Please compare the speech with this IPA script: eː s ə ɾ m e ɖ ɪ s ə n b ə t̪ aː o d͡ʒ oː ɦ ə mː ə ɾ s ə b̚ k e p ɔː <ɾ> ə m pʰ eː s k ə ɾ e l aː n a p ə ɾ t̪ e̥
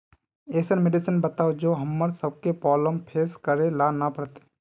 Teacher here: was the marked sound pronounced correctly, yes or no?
no